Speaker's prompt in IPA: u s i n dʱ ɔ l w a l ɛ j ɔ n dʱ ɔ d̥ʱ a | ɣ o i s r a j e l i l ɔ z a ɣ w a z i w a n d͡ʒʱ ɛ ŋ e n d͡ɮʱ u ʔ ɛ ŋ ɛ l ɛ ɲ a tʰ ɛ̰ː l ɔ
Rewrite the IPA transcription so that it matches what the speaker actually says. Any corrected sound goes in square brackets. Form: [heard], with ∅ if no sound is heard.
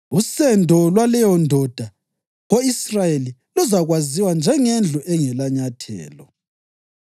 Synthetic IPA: u s [ɛ] n dʱ ɔ l w a l ɛ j ɔ n dʱ ɔ d̥ʱ a | ɣ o i s r a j e l i l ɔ z a ɣ w a z i w a n d͡ʒʱ ɛ ŋ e n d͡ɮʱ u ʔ ɛ ŋ ɛ l [a] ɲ a tʰ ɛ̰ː l ɔ